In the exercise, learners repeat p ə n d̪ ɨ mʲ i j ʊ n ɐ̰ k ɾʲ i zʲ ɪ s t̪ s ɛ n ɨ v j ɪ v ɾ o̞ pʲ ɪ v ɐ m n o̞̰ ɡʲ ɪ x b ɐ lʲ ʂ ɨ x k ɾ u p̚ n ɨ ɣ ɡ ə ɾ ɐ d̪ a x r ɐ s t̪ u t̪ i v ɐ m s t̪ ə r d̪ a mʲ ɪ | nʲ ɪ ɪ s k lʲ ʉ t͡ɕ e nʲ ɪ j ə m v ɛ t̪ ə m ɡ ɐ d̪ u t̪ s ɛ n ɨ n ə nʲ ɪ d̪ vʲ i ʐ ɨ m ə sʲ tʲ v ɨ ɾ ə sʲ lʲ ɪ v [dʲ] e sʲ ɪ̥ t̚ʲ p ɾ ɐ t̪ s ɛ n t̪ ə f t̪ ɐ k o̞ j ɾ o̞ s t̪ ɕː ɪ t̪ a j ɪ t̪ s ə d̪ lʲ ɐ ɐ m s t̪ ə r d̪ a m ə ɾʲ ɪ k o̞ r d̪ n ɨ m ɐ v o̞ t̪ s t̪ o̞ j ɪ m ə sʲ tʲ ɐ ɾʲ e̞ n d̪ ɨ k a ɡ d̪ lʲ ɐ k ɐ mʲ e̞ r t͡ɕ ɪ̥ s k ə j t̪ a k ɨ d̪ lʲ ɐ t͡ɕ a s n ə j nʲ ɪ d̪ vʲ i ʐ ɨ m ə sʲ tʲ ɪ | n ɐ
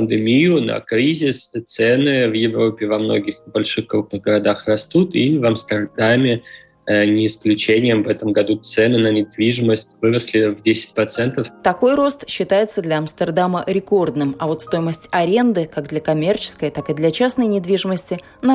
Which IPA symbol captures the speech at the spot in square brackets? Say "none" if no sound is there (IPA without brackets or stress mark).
dʲ